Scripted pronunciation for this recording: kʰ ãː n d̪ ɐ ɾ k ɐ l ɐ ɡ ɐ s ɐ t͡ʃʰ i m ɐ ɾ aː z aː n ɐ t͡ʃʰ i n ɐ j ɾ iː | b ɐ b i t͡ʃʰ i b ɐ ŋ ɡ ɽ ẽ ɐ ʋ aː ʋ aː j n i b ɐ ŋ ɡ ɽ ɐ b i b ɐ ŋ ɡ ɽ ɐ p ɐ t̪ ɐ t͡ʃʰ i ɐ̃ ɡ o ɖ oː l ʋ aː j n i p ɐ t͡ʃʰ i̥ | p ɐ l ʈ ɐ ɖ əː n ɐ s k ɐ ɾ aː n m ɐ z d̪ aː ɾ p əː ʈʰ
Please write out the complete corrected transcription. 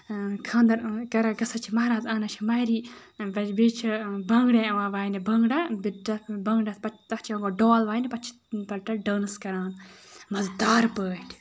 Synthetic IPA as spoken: kʰ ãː n d̪ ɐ ɾ k ɐ ɾ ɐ ɡ ɐ s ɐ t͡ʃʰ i m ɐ ɾ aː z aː n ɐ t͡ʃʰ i m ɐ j ɾ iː | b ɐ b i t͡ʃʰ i b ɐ ŋ ɡ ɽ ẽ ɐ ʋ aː ʋ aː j n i b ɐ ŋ ɡ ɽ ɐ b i b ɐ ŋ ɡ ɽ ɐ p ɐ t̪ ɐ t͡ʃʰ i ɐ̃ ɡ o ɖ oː l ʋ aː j n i p ɐ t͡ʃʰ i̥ | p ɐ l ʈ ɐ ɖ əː n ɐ s k ɐ ɾ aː n m ɐ z d̪ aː ɾ p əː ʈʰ